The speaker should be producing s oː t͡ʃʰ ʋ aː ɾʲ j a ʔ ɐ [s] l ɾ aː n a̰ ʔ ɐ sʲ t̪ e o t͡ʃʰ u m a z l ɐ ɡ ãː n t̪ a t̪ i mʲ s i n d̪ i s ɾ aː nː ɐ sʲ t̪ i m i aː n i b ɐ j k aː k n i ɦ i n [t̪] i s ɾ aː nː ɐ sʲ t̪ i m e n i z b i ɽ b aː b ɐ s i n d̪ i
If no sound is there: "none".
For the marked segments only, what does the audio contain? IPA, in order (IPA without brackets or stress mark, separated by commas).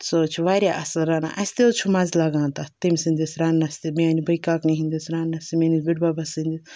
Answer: s, d̪